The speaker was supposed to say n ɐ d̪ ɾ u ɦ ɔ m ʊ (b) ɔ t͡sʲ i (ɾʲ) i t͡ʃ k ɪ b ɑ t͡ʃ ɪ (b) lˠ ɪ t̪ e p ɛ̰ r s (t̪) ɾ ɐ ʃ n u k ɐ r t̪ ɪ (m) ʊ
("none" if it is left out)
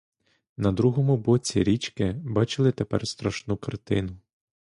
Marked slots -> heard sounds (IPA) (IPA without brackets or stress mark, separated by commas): b, ɾʲ, none, t̪, n